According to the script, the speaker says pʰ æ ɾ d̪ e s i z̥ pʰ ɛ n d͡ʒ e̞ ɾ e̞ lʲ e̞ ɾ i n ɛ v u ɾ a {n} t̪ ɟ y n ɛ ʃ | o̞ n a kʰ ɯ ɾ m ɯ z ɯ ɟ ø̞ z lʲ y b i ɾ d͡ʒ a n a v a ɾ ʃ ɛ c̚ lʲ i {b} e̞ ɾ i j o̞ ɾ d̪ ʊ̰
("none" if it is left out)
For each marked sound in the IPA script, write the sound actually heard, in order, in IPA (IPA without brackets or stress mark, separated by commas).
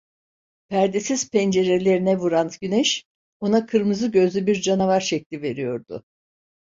n, v